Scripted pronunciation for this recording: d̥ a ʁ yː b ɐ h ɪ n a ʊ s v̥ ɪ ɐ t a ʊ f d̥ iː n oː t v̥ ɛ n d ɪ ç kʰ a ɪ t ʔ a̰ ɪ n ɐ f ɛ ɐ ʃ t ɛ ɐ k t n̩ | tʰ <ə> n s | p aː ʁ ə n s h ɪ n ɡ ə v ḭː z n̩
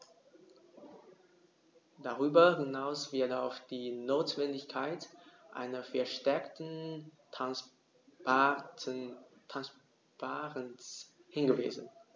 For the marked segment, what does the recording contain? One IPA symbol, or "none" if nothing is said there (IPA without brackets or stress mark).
a